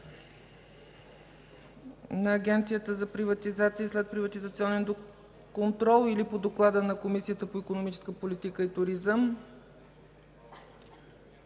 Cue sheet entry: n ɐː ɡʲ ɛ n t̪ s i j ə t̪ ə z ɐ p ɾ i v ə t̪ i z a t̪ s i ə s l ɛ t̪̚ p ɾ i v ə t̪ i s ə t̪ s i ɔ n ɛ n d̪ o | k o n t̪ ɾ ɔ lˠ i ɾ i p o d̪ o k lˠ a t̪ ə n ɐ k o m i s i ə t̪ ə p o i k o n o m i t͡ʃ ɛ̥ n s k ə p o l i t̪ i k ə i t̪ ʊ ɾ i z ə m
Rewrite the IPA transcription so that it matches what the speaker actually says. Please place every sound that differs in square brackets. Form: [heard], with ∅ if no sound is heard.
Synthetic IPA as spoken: n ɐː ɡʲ ɛ n t̪ s i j ə t̪ ə z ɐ p ɾ i v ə t̪ i z a t̪ s i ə s l ɛ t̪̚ p ɾ i v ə t̪ i [z] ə t̪ s i ɔ n ɛ n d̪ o | k o n t̪ ɾ ɔ lˠ i [l] i p o d̪ o k lˠ a [d̪] ə n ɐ k o m i s i ə t̪ ə p o i k o n o m i t͡ʃ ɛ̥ [∅] s k ə p o l i t̪ i k ə i t̪ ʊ ɾ i z ə m